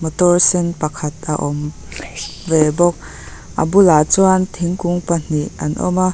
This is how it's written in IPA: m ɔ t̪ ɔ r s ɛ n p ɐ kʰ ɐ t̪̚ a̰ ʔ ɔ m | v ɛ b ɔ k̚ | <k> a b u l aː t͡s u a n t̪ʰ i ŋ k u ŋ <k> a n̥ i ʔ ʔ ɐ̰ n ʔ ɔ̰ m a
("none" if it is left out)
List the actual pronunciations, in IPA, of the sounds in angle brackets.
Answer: ʔ, p

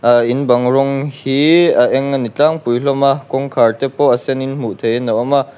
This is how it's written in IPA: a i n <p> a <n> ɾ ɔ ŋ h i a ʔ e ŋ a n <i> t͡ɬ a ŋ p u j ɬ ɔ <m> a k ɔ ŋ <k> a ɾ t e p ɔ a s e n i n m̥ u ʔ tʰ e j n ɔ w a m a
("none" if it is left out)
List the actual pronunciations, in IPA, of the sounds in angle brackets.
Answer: b, ŋ, i, m, kʰ

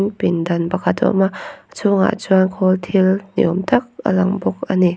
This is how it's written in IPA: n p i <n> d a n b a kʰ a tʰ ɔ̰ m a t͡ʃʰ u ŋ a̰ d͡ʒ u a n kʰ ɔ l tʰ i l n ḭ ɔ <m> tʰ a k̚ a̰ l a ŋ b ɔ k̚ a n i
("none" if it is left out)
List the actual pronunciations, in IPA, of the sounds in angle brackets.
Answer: n, m

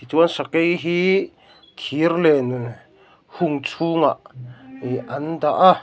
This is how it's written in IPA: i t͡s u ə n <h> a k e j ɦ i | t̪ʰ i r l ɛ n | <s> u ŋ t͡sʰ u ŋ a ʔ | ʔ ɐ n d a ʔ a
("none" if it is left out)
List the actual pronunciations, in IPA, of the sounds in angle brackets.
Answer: s, h

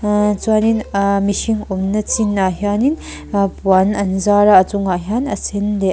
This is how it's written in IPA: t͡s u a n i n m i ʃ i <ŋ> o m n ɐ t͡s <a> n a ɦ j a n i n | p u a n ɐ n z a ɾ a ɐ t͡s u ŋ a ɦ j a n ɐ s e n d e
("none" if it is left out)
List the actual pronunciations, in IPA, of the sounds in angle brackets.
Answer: ŋ, i

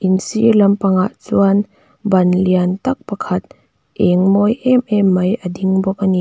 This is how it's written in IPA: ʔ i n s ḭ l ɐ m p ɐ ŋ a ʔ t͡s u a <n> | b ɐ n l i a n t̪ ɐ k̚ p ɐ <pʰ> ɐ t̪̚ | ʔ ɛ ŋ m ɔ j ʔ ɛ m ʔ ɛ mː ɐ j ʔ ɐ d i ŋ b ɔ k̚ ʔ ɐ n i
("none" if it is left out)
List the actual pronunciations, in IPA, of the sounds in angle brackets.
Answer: n, kʰ

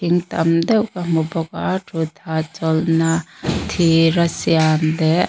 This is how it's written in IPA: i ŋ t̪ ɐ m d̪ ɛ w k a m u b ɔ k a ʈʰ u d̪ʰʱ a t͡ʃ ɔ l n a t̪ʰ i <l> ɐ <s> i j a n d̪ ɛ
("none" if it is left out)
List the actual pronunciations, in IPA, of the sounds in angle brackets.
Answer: ɾ, s

